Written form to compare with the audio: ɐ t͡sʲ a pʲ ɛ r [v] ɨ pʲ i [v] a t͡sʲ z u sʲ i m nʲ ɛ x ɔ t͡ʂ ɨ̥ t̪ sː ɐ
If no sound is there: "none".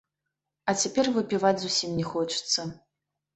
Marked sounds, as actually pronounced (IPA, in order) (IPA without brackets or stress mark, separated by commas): v, v